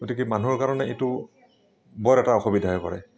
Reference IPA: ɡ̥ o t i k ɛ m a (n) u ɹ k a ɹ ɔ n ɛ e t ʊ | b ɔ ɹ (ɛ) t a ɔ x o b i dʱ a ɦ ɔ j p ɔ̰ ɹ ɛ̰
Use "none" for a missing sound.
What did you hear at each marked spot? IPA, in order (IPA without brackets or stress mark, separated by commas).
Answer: n, ɛ